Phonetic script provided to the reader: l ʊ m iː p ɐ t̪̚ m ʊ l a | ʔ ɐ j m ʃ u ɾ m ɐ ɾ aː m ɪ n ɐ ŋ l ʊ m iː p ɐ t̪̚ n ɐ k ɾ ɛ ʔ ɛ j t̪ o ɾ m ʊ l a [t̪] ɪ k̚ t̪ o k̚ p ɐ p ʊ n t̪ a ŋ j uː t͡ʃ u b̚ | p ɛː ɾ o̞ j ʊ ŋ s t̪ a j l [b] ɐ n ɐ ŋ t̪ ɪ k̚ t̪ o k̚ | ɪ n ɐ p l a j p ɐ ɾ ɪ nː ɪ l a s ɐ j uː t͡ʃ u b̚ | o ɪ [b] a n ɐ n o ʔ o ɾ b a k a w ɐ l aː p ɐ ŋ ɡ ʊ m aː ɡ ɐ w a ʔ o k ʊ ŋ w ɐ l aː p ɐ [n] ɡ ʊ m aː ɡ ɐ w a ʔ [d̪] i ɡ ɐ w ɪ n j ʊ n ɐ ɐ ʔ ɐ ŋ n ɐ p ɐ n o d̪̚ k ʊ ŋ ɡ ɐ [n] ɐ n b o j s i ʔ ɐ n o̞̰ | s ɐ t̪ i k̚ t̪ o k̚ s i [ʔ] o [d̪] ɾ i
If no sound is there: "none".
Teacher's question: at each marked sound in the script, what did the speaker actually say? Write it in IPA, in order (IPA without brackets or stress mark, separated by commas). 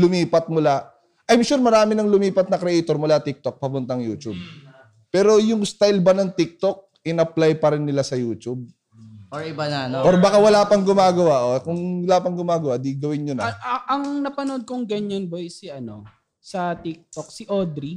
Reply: t̪, b, b, ŋ, d̪, ɲ, ʔ, d̪